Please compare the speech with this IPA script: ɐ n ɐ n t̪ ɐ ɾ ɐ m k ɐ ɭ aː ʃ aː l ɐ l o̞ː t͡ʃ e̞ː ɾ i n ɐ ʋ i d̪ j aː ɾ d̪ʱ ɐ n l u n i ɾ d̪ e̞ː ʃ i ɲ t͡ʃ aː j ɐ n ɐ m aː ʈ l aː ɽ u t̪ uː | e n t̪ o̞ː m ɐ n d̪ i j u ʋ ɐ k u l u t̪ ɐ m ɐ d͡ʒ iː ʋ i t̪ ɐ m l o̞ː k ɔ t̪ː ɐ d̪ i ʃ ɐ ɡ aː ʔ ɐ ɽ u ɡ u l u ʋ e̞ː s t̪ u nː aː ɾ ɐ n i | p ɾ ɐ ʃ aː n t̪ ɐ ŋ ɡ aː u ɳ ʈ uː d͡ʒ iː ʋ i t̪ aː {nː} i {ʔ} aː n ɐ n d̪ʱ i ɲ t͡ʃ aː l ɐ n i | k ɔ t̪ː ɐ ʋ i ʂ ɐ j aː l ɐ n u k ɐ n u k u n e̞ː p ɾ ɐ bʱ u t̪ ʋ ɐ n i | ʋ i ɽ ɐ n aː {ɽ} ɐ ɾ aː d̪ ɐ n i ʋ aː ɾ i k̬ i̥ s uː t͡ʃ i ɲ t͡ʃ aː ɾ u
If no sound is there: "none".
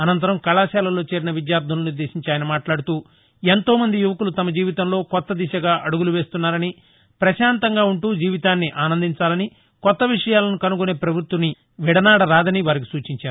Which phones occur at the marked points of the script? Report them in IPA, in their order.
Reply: nː, ʔ, ɽ

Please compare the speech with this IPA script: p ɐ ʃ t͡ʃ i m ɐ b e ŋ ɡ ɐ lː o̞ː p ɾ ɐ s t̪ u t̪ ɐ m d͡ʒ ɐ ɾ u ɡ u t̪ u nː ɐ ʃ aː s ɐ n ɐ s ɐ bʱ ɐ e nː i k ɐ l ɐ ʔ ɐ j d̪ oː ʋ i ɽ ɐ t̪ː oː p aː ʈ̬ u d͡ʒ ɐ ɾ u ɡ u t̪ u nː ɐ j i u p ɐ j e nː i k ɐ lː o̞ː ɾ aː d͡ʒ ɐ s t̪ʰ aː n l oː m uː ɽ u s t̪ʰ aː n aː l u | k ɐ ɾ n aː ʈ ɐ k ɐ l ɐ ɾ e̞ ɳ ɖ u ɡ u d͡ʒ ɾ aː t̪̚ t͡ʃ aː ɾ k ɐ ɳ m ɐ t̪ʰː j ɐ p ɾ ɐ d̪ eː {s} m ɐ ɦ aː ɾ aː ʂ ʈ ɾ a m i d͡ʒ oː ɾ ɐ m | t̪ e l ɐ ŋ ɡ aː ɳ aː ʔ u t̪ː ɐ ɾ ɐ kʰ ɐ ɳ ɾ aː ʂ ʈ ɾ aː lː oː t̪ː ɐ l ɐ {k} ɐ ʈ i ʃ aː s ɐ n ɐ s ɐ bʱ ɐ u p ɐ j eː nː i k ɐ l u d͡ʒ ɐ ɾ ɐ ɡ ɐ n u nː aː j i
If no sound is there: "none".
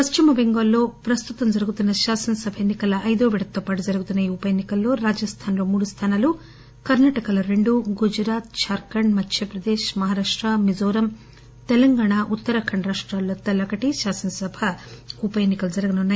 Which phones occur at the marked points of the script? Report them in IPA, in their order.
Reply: ʃ, k

